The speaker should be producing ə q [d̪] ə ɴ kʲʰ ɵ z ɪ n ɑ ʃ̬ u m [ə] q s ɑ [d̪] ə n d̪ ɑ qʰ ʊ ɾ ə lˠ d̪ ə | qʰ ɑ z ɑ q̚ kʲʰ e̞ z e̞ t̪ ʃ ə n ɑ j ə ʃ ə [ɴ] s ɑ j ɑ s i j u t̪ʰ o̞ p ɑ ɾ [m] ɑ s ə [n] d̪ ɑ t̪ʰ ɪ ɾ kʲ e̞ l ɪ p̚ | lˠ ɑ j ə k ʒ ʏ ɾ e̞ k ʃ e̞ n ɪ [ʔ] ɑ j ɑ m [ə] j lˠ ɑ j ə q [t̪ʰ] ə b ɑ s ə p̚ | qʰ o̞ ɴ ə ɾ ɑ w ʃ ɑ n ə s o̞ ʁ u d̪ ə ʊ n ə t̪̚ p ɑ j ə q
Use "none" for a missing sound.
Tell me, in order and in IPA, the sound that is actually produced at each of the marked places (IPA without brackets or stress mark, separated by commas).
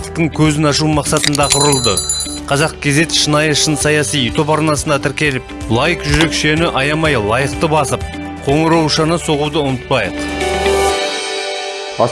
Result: t̪, ɑ, t̪, n, n, n, ʔ, ɑ, t̪